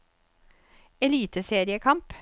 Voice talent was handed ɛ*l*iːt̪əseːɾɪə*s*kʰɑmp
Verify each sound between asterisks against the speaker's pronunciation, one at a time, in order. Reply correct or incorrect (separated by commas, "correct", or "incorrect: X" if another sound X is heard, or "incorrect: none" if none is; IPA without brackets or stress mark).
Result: correct, incorrect: none